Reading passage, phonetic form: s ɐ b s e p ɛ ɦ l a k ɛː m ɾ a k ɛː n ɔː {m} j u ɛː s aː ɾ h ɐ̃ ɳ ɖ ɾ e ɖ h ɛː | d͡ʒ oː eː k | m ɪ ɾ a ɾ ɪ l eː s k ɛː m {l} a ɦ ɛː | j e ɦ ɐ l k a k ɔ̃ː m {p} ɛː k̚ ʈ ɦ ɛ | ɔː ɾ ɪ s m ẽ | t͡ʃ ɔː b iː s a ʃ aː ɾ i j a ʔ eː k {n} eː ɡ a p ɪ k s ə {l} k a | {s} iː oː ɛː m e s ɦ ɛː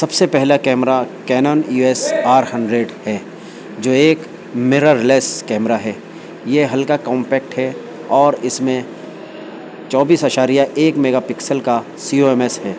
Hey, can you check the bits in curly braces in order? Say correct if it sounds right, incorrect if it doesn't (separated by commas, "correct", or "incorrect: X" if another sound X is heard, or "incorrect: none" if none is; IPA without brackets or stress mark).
incorrect: n, incorrect: ɾ, correct, incorrect: m, correct, correct